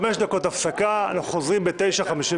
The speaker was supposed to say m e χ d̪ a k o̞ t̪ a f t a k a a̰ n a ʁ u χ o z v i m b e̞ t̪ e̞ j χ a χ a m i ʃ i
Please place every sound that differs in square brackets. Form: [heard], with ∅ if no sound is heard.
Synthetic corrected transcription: m e [ʃ] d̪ a k o̞ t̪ a f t a k a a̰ n a [χ] u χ o z [ʁ] i m b e̞ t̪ e̞ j [ʃ] a χ a m i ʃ i